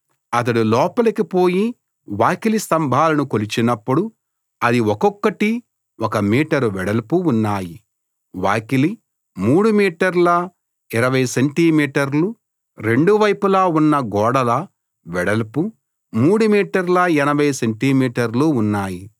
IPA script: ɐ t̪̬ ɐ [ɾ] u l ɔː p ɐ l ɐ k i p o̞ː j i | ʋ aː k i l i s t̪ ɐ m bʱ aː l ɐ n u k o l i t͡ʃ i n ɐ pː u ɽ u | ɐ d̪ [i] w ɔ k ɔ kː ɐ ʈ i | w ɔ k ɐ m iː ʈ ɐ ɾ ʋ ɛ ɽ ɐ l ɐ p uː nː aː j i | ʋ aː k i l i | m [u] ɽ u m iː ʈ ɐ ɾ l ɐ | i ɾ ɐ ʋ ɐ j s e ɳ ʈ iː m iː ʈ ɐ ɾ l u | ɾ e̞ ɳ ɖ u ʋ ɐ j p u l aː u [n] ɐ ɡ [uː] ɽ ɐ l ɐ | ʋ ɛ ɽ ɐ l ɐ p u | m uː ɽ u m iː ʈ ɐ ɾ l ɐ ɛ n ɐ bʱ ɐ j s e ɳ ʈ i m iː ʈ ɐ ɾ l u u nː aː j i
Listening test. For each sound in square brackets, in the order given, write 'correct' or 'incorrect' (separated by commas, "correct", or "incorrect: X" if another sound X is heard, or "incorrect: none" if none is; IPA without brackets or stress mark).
incorrect: ɽ, correct, incorrect: uː, incorrect: nː, incorrect: ɔː